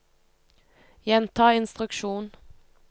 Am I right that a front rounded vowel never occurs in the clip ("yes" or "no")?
yes